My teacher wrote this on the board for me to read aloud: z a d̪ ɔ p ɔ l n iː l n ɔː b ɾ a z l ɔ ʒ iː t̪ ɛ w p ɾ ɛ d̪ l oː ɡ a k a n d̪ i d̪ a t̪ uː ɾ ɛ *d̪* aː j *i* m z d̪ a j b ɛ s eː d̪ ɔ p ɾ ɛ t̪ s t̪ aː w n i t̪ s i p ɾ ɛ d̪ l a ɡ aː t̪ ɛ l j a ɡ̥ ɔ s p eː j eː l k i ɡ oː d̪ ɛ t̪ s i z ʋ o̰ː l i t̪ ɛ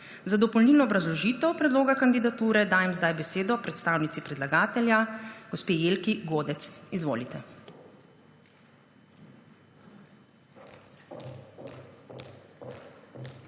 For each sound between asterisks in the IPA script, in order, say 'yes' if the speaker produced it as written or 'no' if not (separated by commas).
yes, no